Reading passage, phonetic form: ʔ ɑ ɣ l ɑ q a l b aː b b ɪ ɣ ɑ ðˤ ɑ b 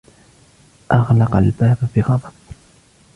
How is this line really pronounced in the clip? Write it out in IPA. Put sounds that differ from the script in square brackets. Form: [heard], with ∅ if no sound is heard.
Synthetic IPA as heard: ʔ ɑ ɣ l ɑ q a l b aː b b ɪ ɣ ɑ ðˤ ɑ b